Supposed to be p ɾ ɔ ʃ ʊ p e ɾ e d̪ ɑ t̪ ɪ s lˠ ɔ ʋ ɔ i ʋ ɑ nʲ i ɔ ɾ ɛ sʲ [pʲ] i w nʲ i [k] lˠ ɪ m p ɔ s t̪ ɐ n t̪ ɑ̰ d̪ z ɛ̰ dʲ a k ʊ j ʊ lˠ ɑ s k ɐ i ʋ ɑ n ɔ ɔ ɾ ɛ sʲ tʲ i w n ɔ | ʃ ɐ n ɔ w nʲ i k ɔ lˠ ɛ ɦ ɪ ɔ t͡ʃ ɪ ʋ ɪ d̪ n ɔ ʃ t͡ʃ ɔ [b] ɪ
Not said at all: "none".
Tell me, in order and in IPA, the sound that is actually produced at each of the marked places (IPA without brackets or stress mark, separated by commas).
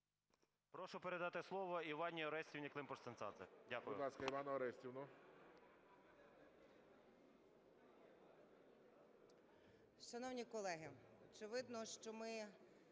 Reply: tʲ, k, m